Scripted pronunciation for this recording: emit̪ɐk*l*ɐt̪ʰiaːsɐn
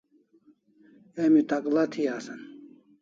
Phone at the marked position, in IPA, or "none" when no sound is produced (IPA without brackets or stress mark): l